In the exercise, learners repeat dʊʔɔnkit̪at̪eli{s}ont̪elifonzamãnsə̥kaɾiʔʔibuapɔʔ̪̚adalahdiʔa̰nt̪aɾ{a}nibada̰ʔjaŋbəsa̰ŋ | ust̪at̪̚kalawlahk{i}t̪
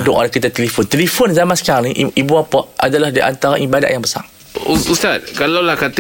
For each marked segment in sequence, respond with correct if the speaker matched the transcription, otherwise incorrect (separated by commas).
incorrect, correct, incorrect